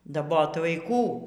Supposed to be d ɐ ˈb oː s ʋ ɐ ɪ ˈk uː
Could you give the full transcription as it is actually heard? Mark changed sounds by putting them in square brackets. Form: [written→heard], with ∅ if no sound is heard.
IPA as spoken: d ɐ ˈb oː [s→t] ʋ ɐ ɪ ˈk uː